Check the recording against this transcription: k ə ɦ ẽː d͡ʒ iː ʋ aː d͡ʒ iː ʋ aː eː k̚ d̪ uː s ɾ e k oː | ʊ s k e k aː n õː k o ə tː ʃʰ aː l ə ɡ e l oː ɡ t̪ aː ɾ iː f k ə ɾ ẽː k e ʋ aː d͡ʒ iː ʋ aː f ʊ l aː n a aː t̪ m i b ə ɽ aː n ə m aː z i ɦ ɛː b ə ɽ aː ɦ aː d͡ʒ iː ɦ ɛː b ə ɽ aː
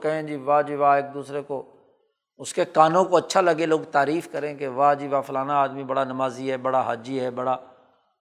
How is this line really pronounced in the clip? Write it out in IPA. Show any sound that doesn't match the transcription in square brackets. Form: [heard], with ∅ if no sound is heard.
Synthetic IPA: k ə ɦ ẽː d͡ʒ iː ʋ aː d͡ʒ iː ʋ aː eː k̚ d̪ uː s ɾ e k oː | ʊ s k e k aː n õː k o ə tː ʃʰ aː l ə ɡ e l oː ɡ t̪ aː ɾ iː f k ə ɾ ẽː k e ʋ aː d͡ʒ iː ʋ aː f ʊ l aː n a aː [d̪] m i b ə ɽ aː n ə m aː z i ɦ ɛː b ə ɽ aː ɦ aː d͡ʒ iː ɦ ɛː b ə ɽ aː